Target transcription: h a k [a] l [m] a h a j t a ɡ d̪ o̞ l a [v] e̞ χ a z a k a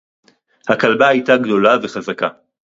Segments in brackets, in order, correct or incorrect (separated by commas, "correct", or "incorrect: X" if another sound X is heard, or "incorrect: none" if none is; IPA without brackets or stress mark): correct, incorrect: b, correct